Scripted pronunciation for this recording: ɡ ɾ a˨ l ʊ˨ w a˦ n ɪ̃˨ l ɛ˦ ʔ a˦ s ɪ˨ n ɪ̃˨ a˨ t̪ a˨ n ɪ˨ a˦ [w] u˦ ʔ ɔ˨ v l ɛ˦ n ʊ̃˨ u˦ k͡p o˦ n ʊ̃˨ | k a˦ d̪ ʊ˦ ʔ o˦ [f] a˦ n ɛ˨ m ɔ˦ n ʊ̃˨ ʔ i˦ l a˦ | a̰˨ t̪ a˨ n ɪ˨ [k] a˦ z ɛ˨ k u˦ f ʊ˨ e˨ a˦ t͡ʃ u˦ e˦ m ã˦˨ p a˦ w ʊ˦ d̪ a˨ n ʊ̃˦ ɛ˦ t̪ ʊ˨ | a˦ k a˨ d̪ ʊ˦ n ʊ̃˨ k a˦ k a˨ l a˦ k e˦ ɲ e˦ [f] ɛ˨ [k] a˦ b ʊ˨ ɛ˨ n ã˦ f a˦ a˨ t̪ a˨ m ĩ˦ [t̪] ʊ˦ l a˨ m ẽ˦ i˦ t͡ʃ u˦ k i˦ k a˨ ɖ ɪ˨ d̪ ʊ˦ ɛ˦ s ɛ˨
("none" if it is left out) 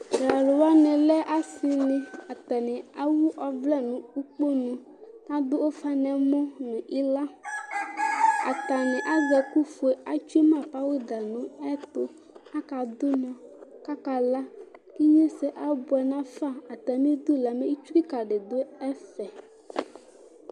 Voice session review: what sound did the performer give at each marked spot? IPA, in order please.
w, f, ʔ, s, ʔ, d̪

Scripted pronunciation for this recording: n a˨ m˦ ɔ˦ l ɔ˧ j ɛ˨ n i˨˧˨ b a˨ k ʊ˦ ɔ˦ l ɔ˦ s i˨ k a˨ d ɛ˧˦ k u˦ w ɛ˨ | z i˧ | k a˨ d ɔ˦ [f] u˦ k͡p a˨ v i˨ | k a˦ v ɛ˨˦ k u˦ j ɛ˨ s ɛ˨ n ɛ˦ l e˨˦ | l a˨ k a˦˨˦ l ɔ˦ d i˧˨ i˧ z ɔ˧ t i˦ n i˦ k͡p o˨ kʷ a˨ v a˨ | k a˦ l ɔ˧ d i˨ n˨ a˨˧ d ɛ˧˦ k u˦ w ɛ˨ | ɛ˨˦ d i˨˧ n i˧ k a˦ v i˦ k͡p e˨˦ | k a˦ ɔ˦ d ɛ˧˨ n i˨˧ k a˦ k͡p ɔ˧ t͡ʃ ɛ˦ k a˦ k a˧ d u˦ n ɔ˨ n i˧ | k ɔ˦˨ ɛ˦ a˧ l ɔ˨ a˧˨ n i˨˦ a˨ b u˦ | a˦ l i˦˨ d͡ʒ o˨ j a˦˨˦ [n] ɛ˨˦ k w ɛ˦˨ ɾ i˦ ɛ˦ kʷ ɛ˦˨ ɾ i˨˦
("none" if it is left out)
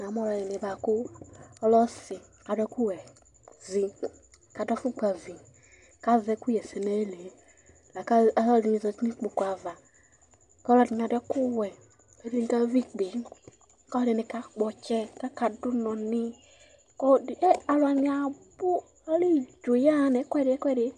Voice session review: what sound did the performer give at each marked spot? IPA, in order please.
f, n

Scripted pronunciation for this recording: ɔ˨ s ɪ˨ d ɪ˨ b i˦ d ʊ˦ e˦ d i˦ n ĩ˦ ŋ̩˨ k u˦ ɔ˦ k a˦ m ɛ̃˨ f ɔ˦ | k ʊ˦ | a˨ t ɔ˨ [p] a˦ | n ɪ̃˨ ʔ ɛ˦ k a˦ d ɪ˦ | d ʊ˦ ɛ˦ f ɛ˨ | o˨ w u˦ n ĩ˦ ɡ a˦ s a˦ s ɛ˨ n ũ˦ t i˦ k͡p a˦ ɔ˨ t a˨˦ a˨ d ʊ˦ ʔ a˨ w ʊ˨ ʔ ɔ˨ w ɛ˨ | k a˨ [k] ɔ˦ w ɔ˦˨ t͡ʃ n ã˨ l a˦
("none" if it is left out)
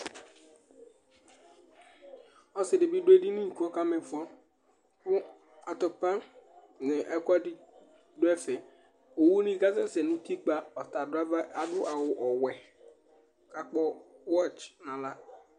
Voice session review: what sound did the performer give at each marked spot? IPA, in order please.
p, k͡p

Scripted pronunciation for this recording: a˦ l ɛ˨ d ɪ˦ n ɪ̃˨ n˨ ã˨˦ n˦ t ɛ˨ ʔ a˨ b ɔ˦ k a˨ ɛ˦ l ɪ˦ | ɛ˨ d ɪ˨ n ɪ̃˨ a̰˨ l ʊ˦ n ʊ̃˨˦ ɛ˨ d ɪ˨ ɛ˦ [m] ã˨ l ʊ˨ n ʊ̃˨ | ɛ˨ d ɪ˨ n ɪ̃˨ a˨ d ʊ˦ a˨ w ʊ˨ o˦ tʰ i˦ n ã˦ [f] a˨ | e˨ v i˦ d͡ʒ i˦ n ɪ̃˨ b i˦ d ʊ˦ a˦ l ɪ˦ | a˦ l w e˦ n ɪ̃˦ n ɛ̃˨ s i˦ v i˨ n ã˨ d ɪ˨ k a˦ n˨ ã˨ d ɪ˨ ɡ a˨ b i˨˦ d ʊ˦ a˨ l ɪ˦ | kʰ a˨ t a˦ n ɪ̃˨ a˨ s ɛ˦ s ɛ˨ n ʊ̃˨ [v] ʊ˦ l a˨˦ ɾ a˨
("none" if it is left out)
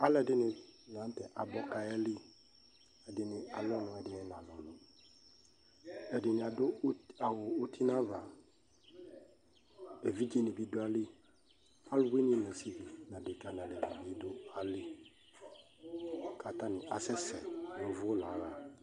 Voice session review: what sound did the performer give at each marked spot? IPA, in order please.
n, v, v

